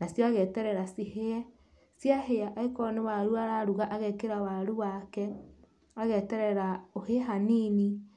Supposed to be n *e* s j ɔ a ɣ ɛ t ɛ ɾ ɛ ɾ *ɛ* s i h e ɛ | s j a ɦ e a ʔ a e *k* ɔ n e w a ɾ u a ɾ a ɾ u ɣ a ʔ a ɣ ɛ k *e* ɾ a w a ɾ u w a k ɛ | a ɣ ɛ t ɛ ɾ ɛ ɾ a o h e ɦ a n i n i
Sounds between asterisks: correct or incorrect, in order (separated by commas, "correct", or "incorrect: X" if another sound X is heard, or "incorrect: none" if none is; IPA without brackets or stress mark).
incorrect: a, incorrect: a, correct, correct